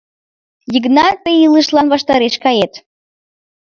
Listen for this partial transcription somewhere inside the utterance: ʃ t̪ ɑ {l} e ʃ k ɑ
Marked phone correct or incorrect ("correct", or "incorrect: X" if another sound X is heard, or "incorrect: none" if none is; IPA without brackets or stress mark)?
incorrect: ɾ